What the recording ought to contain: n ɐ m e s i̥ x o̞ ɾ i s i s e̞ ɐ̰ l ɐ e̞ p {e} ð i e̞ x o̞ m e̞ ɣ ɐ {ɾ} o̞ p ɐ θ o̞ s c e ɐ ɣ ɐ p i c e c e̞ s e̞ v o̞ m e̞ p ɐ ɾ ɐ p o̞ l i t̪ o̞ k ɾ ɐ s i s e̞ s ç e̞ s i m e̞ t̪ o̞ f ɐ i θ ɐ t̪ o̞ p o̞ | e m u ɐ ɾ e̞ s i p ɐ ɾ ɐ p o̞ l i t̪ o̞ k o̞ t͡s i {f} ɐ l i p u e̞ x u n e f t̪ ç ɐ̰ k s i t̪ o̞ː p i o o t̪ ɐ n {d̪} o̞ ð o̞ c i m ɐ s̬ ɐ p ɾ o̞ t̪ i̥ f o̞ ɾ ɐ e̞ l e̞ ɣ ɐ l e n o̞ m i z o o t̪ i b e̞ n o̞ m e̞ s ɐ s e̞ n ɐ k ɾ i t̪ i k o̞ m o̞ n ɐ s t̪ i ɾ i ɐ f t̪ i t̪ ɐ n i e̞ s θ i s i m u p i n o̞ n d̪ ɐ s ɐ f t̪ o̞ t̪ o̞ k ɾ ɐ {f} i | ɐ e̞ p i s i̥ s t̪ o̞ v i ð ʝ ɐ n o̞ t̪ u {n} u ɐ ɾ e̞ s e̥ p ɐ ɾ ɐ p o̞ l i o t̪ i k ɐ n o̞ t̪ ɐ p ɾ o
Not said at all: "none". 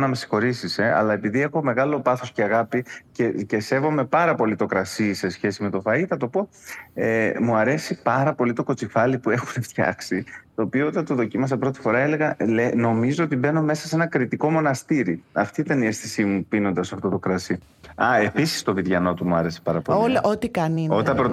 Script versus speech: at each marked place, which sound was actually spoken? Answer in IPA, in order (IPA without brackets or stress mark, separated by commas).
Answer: i, l, f, t̪, s, m